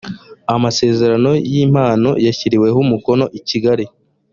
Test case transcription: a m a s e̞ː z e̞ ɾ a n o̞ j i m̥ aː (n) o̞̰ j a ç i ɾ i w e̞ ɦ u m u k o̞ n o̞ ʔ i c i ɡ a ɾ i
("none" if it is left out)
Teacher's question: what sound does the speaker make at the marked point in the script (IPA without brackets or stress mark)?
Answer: n